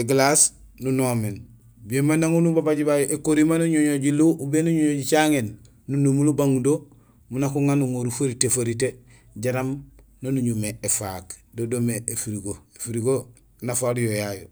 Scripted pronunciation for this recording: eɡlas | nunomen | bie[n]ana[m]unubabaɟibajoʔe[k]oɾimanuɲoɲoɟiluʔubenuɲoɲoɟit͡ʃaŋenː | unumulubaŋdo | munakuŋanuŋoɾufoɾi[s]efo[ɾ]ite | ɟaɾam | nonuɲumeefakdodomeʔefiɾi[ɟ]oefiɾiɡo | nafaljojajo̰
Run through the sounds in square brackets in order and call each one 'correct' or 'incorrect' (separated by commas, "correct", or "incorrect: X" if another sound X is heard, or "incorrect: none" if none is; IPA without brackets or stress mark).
incorrect: m, incorrect: ŋ, correct, incorrect: t, correct, incorrect: ɡ